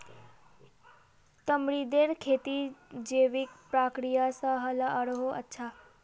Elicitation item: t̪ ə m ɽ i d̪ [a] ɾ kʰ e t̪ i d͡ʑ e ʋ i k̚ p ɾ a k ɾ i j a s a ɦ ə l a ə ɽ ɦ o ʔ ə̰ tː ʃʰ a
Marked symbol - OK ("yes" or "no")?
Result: no